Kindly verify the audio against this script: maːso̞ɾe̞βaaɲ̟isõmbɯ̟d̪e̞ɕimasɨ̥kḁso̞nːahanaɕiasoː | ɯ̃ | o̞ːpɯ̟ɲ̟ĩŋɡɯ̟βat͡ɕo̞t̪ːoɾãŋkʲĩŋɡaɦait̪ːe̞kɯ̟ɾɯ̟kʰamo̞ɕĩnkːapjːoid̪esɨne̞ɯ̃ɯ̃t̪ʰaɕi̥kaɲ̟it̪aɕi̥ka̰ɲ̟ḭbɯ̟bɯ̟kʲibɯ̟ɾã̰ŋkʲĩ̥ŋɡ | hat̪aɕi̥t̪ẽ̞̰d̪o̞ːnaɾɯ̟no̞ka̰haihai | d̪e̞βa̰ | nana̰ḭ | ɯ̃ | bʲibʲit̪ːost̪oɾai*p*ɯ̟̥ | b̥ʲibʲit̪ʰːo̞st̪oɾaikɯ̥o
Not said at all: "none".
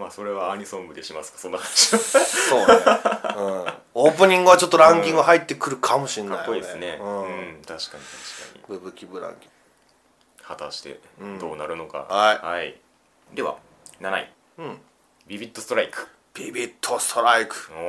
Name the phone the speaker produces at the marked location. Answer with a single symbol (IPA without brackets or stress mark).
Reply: k